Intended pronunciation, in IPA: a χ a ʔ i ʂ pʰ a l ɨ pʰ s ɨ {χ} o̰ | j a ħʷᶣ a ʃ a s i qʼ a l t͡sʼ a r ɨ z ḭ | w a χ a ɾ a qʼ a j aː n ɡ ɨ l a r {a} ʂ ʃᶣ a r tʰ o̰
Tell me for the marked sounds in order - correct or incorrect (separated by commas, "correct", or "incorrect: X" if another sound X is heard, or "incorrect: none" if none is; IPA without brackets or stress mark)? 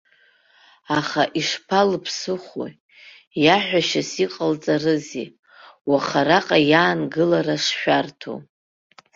correct, correct